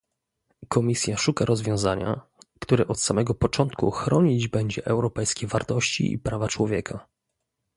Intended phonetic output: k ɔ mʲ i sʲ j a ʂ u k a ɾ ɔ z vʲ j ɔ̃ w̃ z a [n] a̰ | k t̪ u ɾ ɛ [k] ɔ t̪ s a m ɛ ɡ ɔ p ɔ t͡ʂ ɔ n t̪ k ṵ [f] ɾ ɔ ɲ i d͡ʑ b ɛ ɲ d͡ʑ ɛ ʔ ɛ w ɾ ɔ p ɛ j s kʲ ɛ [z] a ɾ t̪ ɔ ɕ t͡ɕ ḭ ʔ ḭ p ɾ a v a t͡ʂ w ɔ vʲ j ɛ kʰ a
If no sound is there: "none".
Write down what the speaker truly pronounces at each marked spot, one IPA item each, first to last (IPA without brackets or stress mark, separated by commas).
ɲ, ʔ, x, v